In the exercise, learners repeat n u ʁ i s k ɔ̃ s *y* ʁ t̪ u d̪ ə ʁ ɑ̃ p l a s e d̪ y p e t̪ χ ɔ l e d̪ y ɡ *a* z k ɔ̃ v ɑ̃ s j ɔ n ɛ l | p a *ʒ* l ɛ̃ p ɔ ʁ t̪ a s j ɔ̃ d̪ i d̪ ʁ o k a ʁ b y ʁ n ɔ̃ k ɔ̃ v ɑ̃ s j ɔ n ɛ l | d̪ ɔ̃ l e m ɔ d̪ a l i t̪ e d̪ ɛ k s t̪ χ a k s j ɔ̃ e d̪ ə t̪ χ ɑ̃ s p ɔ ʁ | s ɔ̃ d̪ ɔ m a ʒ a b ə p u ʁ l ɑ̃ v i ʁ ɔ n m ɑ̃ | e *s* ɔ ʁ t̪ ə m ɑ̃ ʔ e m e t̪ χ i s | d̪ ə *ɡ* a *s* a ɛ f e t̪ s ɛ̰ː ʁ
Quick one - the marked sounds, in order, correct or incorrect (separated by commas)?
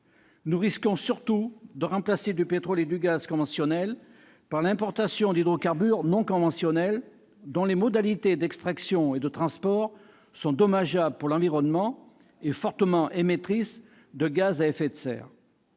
correct, correct, incorrect, incorrect, correct, incorrect